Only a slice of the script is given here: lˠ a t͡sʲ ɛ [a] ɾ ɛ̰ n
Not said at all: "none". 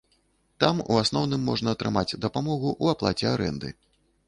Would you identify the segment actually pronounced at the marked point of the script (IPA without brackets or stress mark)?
a